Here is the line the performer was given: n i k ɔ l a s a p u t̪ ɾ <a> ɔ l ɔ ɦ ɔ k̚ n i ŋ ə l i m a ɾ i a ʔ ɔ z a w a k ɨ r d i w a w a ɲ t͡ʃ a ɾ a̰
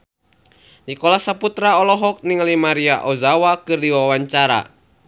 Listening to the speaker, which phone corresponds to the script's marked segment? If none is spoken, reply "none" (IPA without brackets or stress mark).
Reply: a